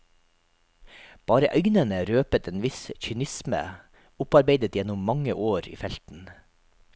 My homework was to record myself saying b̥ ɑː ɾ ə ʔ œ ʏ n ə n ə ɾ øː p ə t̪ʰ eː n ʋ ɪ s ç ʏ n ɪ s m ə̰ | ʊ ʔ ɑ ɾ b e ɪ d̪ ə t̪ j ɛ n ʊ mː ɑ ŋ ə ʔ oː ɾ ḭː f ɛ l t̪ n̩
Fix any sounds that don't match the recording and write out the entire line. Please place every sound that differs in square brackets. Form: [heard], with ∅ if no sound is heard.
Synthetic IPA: b̥ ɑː ɾ ə ʔ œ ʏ n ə n ə ɾ øː p ə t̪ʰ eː n ʋ ɪ s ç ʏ n ɪ s m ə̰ | ʊ [p] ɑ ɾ b e ɪ d̪ ə t̪ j ɛ n ʊ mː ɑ ŋ ə ʔ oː ɾ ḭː f ɛ l t̪ n̩